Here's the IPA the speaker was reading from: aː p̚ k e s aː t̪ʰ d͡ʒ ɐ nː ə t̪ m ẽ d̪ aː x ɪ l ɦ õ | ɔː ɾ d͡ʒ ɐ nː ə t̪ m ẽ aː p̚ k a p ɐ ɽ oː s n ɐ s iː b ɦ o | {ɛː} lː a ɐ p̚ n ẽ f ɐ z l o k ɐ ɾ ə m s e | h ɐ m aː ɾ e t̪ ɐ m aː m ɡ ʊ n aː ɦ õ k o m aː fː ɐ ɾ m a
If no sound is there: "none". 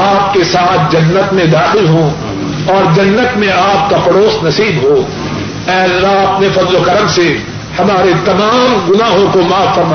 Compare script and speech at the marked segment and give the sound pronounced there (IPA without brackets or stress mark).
ɛː